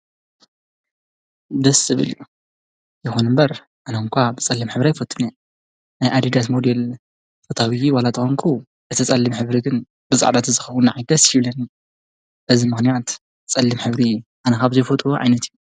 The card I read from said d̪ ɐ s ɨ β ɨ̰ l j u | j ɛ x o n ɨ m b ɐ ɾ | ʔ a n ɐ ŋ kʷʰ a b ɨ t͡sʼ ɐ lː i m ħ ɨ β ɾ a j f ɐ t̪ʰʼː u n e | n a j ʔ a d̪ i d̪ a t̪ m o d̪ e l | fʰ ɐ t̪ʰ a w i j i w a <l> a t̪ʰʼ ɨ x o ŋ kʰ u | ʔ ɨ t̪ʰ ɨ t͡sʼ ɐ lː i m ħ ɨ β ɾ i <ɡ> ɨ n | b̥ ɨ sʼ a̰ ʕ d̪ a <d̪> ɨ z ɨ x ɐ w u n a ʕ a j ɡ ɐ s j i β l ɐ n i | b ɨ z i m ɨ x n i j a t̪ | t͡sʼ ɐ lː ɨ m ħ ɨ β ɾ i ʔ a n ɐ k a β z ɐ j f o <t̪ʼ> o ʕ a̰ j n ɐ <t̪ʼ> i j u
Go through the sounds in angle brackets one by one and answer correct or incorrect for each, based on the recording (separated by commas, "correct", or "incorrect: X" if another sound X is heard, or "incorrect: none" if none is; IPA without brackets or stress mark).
correct, correct, incorrect: t̪, correct, incorrect: t̪